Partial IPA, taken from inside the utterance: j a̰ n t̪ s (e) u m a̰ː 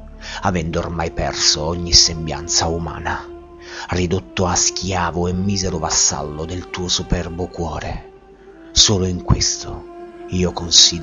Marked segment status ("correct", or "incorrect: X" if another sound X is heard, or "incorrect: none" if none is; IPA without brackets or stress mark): incorrect: a